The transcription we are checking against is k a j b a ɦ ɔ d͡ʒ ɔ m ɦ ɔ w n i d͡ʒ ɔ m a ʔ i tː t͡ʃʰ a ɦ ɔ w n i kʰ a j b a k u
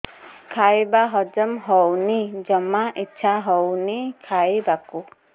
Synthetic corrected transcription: kʰ a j b a ɦ ɔ d͡ʒ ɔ m ɦ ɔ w n i d͡ʒ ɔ m a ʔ i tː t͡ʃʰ a ɦ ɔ w n i kʰ a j b a k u